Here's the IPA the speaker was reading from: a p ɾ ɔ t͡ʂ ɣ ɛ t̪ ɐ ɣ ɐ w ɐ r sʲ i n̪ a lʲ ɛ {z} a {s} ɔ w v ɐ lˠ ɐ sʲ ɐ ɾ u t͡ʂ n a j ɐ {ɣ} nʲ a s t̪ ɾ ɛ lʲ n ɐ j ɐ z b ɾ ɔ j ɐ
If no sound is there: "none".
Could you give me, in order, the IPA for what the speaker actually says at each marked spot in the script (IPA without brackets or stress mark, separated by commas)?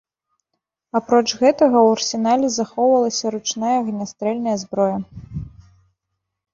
z, x, ɣ